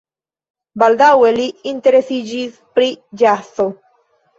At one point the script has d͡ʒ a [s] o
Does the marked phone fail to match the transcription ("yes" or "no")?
no